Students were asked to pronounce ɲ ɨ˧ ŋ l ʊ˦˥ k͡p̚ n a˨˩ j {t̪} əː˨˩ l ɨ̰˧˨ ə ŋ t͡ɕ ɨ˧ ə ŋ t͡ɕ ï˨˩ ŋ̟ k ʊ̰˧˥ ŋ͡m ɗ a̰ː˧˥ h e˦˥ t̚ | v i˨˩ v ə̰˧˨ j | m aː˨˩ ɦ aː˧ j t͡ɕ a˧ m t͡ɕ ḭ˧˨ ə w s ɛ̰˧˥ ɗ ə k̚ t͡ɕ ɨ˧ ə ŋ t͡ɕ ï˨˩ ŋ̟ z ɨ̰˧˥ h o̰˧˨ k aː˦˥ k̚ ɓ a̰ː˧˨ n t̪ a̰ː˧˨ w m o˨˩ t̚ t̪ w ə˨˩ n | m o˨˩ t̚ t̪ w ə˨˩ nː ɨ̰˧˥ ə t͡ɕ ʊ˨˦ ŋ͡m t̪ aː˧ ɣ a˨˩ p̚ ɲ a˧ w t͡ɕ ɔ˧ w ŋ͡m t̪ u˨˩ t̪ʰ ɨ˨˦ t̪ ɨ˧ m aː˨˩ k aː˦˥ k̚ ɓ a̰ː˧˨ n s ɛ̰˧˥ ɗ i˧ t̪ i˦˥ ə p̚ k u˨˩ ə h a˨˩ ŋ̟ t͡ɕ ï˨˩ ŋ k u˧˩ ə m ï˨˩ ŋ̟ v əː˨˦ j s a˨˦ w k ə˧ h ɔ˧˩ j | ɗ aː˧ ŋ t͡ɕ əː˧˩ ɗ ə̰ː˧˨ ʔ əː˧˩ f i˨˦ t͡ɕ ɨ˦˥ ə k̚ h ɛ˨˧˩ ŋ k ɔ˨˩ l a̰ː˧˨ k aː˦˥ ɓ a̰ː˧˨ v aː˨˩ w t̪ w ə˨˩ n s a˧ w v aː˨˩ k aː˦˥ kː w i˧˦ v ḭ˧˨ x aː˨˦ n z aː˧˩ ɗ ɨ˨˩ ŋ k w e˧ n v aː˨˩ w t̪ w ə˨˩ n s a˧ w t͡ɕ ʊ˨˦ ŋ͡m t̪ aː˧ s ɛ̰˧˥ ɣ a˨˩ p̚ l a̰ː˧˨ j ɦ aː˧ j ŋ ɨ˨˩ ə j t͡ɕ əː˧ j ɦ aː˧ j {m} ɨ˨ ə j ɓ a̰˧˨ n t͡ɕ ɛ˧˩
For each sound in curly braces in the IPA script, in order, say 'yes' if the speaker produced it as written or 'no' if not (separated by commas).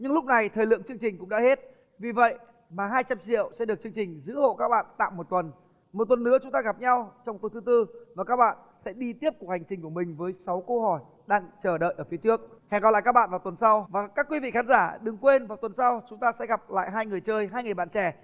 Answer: no, no